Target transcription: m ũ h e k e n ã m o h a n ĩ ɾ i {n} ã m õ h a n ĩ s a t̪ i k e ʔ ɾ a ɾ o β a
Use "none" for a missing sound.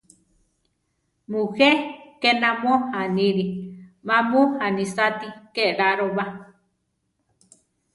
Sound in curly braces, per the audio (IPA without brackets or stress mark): m